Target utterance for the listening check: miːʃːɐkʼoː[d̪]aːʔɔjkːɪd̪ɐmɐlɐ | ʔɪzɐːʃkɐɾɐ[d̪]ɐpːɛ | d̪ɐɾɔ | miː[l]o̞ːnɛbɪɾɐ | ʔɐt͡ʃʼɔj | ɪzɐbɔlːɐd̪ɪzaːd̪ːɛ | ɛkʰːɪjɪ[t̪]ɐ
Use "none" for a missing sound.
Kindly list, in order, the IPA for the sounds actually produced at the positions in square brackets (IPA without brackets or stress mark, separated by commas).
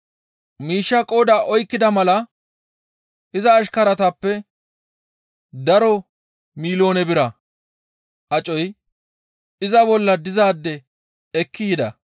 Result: d̪, t̪, l, d̪